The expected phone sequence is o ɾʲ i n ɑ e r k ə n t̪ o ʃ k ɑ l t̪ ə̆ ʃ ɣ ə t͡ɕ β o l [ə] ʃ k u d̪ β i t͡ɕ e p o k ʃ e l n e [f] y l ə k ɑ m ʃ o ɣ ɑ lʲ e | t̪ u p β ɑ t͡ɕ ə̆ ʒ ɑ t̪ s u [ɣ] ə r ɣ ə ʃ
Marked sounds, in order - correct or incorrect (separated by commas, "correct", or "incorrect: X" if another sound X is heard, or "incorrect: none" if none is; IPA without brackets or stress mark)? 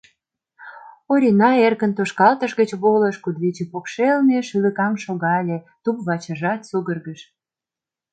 correct, incorrect: ʃ, correct